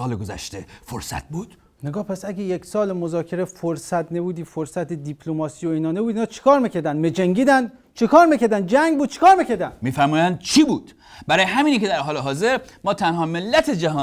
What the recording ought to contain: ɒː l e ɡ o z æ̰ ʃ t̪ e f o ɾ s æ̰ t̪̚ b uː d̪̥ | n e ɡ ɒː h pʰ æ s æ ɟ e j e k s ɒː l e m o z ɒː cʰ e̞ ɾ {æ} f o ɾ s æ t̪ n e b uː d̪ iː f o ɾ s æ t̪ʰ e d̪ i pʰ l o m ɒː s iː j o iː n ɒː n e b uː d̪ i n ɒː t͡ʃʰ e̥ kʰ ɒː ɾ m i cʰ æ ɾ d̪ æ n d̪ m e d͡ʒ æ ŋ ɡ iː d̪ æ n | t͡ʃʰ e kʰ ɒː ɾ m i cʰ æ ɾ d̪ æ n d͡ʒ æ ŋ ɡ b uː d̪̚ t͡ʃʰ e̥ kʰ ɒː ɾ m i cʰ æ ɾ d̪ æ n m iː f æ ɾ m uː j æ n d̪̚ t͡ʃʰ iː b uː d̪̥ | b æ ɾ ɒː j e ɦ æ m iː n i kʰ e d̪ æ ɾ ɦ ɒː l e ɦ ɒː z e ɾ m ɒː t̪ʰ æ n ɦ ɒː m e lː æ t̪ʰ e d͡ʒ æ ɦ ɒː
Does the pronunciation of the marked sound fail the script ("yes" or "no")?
yes